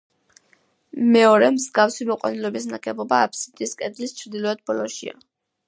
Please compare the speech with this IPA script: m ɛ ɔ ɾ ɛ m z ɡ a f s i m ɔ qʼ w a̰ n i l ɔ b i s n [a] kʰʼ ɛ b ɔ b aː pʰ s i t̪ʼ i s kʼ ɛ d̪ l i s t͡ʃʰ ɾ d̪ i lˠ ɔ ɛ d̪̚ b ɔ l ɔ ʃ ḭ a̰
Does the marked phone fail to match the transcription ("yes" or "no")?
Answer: no